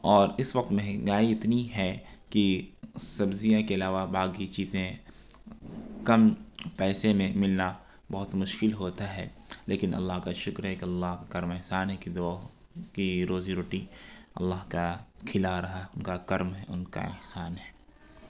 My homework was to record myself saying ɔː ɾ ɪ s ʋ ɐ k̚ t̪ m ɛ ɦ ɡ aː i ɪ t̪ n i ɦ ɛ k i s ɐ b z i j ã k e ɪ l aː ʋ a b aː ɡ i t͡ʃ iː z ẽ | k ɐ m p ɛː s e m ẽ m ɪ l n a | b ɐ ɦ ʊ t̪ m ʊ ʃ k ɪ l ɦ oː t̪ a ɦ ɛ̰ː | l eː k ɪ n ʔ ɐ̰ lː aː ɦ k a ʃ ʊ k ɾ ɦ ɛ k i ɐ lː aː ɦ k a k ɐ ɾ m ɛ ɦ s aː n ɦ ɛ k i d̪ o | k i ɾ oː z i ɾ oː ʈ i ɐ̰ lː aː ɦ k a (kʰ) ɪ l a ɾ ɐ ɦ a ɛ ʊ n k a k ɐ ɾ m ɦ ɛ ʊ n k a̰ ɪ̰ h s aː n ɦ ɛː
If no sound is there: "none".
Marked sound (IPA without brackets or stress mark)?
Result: kʰ